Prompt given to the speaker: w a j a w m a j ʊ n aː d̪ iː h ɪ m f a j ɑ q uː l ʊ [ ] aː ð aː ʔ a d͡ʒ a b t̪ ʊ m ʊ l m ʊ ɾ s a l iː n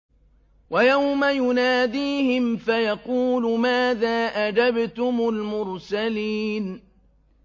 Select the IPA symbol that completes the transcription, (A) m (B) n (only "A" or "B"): A